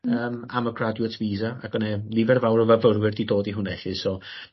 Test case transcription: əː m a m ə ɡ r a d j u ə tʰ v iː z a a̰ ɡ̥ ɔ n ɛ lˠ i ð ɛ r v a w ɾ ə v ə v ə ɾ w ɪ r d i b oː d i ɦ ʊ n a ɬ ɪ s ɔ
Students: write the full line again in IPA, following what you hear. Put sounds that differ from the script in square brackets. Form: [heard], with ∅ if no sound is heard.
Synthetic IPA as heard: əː m a m ə ɡ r a d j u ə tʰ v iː z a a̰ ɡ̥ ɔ n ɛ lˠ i [v] ɛ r v a w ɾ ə v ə v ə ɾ w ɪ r d i [d] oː d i ɦ ʊ n [ɛ] ɬ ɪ s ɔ